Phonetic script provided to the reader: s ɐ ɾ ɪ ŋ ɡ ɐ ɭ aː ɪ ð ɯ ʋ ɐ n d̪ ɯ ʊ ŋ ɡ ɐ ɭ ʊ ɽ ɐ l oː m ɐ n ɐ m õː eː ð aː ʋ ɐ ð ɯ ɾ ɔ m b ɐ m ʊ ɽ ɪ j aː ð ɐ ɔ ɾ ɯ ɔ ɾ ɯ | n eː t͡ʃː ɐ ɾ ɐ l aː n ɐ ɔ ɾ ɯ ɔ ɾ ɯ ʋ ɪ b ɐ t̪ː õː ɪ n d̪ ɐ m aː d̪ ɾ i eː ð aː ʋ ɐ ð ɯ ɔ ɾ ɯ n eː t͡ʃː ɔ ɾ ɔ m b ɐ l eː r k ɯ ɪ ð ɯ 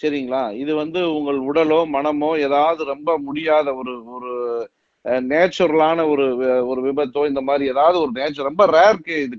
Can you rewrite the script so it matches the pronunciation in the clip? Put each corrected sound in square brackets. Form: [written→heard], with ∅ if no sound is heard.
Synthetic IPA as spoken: s ɐ ɾ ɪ ŋ ɡ ɐ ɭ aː ɪ ð ɯ ʋ ɐ n d̪ ɯ ʊ ŋ ɡ ɐ ɭ ʊ ɽ ɐ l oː m ɐ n ɐ m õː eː ð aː ʋ ɐ ð ɯ ɾ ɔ m b ɐ m ʊ ɽ ɪ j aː ð ɐ ɔ ɾ ɯ ɔ ɾ ɯ | n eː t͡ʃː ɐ ɾ ɐ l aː n ɐ ɔ ɾ ɯ ɔ ɾ ɯ ʋ ɪ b ɐ t̪ː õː ɪ n d̪ ɐ m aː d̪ ɾ i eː ð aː ʋ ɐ ð ɯ ɔ ɾ ɯ n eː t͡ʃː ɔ ɾ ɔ m b ɐ [l→ɾ] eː [r→ɾ] k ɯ ɪ ð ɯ